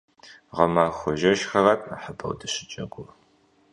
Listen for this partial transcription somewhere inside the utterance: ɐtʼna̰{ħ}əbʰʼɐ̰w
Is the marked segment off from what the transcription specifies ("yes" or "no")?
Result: no